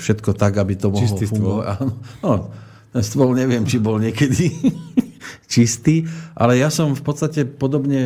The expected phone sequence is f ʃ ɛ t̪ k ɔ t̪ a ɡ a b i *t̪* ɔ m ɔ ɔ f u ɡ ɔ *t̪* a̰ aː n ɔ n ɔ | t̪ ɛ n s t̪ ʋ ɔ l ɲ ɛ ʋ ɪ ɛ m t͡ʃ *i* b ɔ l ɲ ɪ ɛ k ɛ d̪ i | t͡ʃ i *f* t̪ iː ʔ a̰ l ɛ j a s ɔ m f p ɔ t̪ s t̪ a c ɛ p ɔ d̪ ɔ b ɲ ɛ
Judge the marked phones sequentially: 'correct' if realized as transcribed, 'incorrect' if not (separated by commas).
correct, incorrect, correct, incorrect